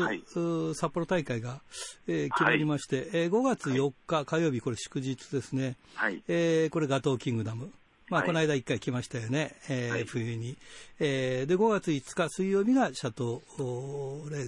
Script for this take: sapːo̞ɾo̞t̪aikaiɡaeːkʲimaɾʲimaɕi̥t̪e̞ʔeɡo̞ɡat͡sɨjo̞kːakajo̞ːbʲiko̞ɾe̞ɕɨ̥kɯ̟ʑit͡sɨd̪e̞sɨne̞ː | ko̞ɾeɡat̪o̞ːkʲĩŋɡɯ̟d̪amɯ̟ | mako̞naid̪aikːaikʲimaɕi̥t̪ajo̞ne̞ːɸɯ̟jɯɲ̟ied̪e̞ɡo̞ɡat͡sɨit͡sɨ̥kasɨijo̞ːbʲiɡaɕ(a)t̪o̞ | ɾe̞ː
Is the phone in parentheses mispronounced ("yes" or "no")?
no